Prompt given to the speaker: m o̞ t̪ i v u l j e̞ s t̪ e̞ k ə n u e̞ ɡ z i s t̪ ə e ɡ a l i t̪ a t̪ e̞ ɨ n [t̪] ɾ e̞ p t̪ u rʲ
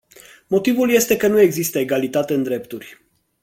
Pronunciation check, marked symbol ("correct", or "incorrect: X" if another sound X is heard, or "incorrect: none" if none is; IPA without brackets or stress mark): incorrect: d̪